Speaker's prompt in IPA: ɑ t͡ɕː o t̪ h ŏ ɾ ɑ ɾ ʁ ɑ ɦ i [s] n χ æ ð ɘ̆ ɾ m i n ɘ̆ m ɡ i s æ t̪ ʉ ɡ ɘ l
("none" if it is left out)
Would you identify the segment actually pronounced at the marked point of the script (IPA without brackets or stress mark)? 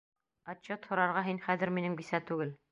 none